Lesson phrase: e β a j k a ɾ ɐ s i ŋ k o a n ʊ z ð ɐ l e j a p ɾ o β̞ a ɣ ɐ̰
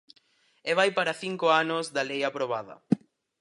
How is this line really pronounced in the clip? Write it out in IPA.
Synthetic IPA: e β a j p a ɾ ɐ θ i ŋ k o a n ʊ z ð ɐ l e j a p ɾ o β̞ a ð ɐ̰